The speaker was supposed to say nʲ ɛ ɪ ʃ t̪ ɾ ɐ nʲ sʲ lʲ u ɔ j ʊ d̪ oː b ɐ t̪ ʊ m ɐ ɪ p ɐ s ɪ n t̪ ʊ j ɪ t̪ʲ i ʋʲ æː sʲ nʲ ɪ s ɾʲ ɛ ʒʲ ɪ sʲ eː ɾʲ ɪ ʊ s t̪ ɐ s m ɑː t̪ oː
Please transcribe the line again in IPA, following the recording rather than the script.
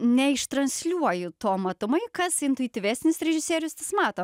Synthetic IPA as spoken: nʲ ɛ ɪ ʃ t̪ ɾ ɐ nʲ sʲ lʲ u ɔ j ʊ t̪ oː m ɐ t̪ ʊ m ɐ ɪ k ɐ s ɪ n t̪ ʊ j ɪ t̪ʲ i ʋʲ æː sʲ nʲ ɪ s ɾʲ ɛ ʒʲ ɪ sʲ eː ɾʲ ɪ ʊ s t̪ ɐ s m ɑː t̪ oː